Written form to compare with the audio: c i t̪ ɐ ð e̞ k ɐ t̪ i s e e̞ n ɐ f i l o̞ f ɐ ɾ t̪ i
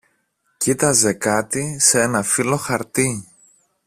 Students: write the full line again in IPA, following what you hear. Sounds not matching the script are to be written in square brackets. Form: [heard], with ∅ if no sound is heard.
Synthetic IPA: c i t̪ ɐ [z] e̞ k ɐ t̪ i s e e̞ n ɐ f i l o̞ [x] ɐ ɾ t̪ i